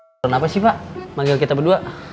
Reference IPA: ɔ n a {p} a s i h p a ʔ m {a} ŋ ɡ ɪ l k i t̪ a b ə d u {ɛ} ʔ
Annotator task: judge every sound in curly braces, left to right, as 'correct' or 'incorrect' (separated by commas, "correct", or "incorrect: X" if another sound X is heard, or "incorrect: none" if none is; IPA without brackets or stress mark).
correct, correct, incorrect: a